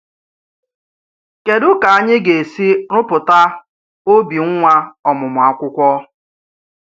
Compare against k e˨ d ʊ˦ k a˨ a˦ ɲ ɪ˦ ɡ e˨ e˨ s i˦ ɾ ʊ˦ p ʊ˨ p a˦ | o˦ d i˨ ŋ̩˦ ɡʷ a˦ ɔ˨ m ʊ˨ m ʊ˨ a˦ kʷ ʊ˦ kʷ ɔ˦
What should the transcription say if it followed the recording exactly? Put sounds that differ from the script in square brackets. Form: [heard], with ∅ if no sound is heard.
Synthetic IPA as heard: k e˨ d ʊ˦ k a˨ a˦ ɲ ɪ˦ ɡ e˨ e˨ s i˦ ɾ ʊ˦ p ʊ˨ [t] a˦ | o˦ [b] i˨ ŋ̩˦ [ŋʷ] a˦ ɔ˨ m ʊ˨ m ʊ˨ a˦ kʷ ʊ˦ kʷ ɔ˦